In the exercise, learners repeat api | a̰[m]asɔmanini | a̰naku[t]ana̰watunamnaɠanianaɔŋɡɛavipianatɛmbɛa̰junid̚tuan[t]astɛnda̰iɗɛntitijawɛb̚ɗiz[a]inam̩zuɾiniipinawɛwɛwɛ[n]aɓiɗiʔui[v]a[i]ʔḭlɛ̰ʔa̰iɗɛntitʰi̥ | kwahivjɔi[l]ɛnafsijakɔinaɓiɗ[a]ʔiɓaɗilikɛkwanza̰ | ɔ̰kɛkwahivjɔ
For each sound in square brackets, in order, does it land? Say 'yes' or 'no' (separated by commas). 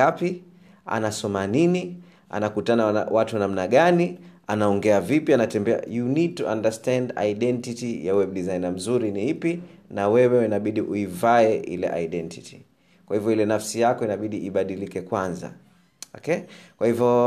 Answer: no, yes, no, yes, yes, yes, no, yes, no